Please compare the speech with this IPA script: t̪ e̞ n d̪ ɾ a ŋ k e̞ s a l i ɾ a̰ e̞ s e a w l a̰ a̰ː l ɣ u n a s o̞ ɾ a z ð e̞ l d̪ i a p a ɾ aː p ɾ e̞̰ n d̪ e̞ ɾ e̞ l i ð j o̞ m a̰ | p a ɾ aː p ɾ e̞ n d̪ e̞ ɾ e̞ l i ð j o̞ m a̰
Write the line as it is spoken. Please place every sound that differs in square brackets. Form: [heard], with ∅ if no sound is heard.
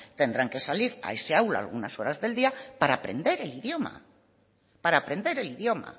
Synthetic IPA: t̪ e̞ n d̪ ɾ a ŋ k e̞ s a l i ɾ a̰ e̞ s e a w l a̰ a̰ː l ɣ u n a s o̞ ɾ a z ð e̞ l d̪ i a p a ɾ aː p ɾ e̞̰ n d̪ e̞ ɾ e̞ l i ð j o̞ m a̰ | p a ɾ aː p ɾ e̞ n d̪ e̞ ɾ e̞ l i ð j o̞ m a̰